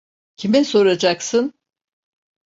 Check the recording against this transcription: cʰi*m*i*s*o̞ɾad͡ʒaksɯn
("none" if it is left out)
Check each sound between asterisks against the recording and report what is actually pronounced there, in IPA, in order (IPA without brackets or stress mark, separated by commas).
m, s